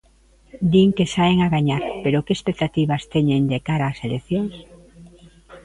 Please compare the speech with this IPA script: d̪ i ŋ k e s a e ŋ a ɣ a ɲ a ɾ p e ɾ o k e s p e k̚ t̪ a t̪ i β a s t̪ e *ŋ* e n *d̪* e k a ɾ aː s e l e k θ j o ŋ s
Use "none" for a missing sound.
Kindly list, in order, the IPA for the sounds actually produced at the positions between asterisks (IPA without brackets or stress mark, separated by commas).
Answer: ɲ, d̪